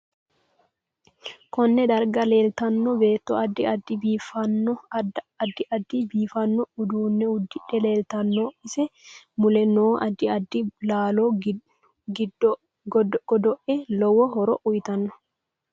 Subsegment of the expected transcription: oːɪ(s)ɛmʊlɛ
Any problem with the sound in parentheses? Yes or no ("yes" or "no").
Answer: no